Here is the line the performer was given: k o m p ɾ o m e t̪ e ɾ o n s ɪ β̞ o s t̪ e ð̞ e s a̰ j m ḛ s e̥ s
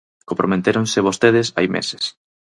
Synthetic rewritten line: k o m p ɾ o m e t̪ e ɾ o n s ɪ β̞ o s t̪ e ð̞ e s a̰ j m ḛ s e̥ s